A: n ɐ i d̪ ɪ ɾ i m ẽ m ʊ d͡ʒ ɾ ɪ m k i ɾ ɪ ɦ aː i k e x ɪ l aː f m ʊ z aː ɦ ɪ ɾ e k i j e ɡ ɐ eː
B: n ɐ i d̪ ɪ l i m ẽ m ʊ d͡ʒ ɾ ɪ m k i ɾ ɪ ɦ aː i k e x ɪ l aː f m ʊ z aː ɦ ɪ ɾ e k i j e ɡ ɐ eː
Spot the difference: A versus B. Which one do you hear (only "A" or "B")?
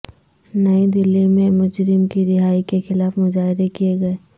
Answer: B